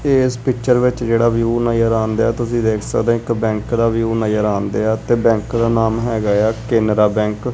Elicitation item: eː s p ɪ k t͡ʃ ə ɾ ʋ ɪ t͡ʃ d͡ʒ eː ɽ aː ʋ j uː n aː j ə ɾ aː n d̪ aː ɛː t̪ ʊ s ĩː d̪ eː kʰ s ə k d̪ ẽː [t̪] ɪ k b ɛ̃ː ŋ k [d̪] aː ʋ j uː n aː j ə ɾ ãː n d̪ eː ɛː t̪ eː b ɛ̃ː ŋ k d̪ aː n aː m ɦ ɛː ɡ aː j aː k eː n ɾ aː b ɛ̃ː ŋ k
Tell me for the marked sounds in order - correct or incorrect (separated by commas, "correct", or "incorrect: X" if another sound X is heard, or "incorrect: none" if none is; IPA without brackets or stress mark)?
incorrect: none, correct